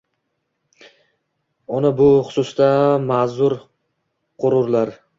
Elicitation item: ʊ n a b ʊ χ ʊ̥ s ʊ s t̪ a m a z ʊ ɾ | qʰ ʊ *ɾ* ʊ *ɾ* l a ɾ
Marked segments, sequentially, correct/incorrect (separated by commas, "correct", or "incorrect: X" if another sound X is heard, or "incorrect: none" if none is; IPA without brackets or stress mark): correct, correct